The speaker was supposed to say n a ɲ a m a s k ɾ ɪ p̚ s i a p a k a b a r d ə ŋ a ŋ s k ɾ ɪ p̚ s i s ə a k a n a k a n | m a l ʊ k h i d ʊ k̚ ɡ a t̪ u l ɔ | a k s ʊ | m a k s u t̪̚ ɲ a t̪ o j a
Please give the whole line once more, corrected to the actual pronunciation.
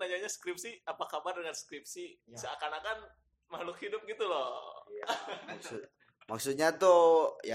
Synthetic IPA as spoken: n a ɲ a ɲ a s k ɾ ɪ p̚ s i a p a k a b a r d ə ŋ a n s k ɾ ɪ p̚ s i s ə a k a n a k a n | m a l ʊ k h i d ʊ p̚ ɡ i t̪ u l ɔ | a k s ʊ | m a k s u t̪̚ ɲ a t̪ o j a